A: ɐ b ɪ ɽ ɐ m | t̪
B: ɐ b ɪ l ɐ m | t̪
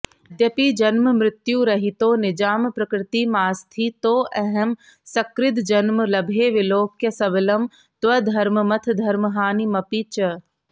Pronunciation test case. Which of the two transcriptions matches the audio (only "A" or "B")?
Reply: B